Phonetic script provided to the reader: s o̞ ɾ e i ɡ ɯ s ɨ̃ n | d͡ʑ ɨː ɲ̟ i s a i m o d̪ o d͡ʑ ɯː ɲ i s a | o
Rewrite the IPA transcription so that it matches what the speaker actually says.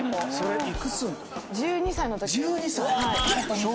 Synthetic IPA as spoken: s o̞ ɾ e i k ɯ s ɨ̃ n | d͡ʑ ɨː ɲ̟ i s a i n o t̪ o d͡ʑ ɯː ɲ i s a | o